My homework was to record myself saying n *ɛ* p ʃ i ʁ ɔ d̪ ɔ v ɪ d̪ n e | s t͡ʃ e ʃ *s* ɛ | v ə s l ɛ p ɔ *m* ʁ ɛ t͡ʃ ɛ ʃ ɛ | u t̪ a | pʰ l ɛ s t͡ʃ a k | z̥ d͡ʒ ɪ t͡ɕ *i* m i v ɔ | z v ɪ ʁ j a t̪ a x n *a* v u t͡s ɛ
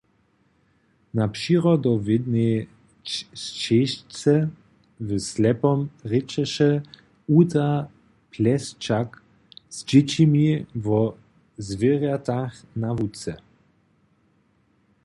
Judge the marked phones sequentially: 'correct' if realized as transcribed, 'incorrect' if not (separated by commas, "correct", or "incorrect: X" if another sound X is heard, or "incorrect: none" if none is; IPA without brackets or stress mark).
incorrect: a, incorrect: t͡s, correct, correct, correct